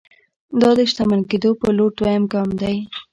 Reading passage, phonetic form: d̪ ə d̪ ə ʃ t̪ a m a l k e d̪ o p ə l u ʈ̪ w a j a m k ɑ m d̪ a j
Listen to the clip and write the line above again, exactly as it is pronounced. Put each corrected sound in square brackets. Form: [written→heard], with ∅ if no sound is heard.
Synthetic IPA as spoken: d̪ [ə→ɑ] d̪ ə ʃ t̪ a m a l k e d̪ o p ə l [u→o] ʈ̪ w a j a m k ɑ m d̪ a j